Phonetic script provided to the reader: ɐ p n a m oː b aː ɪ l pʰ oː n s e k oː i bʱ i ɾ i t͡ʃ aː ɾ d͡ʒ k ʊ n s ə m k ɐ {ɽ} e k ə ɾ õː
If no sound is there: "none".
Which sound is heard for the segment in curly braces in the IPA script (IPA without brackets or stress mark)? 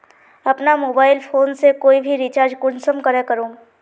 ɾ